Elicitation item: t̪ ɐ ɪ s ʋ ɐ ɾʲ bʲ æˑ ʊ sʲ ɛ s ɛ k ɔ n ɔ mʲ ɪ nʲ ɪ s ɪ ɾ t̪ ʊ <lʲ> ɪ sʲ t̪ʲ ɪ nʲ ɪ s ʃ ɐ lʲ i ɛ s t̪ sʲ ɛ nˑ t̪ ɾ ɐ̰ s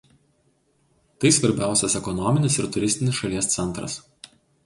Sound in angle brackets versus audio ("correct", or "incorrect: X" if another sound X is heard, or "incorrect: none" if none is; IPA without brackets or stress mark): incorrect: ɾʲ